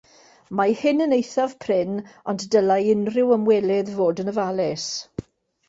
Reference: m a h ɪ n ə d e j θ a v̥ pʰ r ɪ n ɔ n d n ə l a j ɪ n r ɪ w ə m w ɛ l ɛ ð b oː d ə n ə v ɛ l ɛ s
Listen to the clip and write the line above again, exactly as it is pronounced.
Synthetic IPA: m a h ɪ n ə n e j θ a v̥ pʰ r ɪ n ɔ n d d ə l a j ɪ n r ɪ w ə m w ɛ l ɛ ð v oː d ə n ə v a l ɛ s

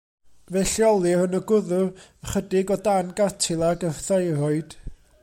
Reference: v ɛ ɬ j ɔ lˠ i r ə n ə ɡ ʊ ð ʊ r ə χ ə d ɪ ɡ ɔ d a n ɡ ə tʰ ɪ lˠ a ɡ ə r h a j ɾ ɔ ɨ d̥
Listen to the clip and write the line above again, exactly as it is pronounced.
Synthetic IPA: v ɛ ɬ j ɔ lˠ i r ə n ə ɡ ʊ ð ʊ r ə χ ə d ɪ ɡ ɔ d a n ɡ a tʰ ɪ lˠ a ɡ ə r θ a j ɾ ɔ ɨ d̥

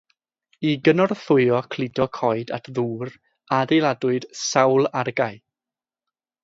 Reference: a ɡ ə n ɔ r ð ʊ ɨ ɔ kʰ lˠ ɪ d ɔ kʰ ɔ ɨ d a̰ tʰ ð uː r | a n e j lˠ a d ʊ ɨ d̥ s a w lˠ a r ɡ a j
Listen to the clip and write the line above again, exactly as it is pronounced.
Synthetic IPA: i ɡ ə n ɔ r θ ʊ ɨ ɔ kʰ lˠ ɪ d ɔ kʰ ɔ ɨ d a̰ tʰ ð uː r | a d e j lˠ a d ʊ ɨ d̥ s a w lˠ a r ɡ a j

